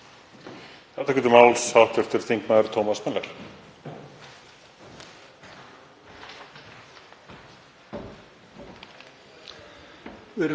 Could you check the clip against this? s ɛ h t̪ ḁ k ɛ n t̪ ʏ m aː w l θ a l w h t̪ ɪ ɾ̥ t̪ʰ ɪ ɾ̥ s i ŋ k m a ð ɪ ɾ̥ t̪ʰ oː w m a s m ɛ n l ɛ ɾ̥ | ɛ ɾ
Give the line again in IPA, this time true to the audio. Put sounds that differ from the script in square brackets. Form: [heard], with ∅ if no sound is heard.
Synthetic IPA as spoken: [θ] ɛ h t̪ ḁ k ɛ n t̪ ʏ m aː w l [s] a [∅] w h t̪ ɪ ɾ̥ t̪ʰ ɪ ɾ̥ [θ] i ŋ k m a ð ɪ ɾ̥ t̪ʰ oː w m a s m ɛ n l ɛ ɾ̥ | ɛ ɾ